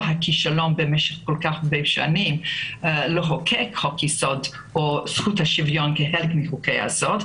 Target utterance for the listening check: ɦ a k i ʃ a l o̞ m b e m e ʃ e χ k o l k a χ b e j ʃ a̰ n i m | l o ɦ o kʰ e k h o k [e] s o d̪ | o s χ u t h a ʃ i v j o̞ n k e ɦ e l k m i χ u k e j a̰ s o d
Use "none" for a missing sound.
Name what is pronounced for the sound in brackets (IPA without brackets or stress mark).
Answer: i